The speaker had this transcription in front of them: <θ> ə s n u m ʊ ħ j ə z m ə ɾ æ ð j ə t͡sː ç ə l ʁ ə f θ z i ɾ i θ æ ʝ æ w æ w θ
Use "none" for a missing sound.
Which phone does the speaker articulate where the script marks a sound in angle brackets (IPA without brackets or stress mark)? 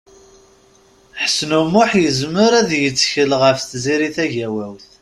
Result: ħ